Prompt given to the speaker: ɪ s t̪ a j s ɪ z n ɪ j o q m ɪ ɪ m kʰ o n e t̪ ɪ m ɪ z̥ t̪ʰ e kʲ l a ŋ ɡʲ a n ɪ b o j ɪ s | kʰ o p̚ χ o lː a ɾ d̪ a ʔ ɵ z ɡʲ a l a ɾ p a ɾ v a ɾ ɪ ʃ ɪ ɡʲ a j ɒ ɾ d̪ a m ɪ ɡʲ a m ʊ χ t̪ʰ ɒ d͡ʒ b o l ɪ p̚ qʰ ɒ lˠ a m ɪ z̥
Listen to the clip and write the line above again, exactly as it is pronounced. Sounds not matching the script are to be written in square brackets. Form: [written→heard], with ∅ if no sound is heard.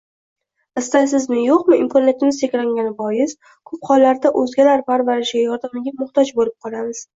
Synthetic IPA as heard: ɪ s t̪ a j s ɪ z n ɪ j o q m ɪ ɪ m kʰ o n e t̪ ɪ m ɪ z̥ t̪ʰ e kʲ l a ŋ ɡʲ a n ɪ b [o→ɒ] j ɪ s | kʰ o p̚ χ [o→ɒ] lː a ɾ d̪ a ʔ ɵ z ɡʲ a l a ɾ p a ɾ v a ɾ ɪ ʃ ɪ ɡʲ a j ɒ ɾ d̪ a m ɪ ɡʲ a m ʊ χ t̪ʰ ɒ d͡ʒ b o l ɪ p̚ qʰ ɒ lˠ a m ɪ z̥